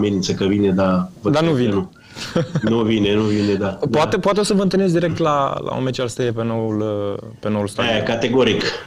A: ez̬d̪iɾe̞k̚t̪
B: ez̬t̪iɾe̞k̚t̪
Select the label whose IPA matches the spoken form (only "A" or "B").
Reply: A